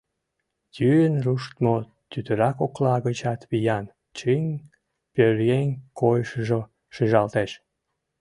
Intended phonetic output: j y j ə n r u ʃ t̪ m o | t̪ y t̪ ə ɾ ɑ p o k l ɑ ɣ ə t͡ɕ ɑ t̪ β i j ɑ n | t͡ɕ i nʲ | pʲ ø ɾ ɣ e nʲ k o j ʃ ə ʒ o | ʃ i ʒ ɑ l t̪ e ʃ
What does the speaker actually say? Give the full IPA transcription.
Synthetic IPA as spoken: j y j ə n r u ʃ t̪ m o | t̪ y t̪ ə ɾ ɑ k o k l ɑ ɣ ə t͡ɕ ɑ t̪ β i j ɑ n | t͡ɕ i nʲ | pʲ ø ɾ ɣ e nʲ k o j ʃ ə ʒ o | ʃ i ʒ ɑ l t̪ e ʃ